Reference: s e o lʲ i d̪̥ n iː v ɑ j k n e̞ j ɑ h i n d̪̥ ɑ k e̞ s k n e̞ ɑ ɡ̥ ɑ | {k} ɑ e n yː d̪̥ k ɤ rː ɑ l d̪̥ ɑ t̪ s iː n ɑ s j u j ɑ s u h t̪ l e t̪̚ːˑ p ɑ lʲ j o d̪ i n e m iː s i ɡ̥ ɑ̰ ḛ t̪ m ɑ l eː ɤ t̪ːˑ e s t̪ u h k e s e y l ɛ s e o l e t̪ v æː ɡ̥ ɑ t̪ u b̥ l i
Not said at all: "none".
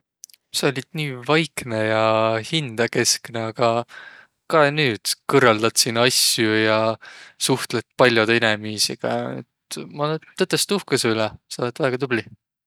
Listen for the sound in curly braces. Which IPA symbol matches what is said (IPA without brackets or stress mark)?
k